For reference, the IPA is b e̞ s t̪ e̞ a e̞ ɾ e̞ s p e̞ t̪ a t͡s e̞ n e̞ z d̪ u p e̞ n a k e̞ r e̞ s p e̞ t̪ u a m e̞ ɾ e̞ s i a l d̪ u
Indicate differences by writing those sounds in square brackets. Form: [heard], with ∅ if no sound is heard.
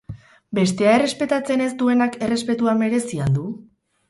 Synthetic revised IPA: b e̞ s t̪ e̞ a e̞ [r] e̞ s p e̞ t̪ a t͡s e̞ n e̞ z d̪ u [∅] e̞ n a k e̞ r e̞ s p e̞ t̪ u a m e̞ ɾ e̞ s i a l d̪ u